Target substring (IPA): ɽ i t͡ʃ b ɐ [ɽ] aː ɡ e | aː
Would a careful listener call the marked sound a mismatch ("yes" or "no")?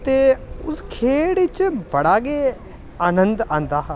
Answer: no